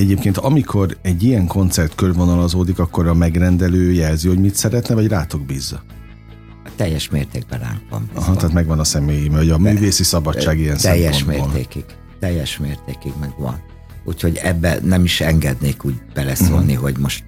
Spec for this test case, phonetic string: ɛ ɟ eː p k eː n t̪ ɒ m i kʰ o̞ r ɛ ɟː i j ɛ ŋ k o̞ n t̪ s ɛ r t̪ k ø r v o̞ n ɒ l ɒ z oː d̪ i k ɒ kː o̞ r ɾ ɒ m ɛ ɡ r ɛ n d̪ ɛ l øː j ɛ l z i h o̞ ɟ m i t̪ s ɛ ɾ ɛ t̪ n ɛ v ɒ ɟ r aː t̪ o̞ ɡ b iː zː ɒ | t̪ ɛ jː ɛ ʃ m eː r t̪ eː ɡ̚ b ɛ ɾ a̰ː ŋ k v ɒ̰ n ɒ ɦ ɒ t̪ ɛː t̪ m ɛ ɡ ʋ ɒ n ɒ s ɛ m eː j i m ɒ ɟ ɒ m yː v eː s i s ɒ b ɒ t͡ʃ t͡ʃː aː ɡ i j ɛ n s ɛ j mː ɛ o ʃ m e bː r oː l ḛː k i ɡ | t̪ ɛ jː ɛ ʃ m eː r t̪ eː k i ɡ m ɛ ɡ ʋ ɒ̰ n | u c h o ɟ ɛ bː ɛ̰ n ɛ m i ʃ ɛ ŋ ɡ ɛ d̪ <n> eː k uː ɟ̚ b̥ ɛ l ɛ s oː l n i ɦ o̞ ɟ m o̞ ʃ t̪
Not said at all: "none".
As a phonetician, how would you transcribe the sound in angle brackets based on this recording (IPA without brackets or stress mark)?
n